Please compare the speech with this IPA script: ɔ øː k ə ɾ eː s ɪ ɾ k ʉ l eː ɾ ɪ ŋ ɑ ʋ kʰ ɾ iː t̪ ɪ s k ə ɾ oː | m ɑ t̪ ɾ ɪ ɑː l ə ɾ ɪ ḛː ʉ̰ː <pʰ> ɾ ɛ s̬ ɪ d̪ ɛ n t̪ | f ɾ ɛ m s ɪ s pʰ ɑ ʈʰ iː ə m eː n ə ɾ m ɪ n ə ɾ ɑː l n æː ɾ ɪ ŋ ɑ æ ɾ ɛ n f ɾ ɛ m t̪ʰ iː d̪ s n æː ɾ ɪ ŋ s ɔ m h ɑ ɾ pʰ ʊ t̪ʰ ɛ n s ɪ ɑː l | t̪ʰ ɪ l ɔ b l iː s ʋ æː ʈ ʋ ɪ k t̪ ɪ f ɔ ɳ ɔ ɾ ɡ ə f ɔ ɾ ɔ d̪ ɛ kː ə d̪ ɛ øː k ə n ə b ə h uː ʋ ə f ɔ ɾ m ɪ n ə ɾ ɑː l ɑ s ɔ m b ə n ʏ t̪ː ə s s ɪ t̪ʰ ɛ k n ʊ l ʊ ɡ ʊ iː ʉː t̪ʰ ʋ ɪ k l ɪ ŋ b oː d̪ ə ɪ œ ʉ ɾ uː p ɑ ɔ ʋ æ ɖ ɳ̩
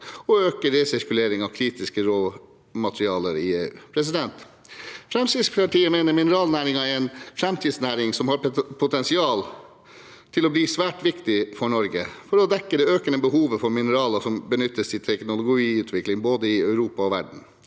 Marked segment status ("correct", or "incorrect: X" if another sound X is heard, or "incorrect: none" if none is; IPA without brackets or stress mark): correct